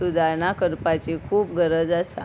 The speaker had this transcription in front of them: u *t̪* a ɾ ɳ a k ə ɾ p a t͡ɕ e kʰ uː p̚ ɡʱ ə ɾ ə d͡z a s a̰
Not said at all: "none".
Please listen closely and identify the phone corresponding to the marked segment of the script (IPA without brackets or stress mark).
d̪